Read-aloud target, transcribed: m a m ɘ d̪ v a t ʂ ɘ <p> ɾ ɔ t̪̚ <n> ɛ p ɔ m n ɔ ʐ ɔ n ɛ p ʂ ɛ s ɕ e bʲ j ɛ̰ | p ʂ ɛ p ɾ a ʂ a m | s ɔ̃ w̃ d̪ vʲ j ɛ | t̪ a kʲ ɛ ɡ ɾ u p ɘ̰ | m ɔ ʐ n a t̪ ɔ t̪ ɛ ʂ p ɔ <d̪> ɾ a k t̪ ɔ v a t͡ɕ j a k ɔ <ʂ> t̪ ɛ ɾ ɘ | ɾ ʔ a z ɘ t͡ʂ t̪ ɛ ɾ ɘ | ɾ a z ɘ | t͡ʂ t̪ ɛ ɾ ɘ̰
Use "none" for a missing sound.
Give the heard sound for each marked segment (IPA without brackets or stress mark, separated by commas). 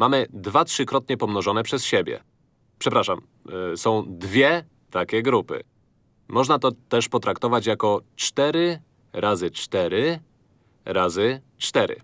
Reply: k, ɲ, t̪, t͡ʂ